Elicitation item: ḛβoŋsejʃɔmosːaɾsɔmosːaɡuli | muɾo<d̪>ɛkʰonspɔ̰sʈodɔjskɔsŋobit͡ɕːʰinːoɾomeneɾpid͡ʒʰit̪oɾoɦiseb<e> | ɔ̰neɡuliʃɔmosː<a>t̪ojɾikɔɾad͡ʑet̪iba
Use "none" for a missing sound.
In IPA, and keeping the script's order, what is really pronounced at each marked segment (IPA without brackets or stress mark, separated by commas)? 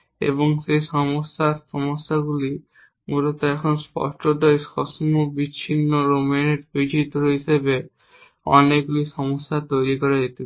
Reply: t̪, e, a